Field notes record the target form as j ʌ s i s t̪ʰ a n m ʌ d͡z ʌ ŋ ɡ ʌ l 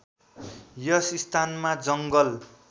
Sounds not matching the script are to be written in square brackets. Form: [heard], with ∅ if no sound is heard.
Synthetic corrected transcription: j ʌ s i s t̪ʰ a n m [a] d͡z ʌ ŋ ɡ ʌ l